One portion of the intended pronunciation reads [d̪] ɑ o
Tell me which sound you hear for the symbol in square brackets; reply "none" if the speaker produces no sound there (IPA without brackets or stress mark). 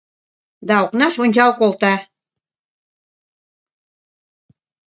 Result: d̪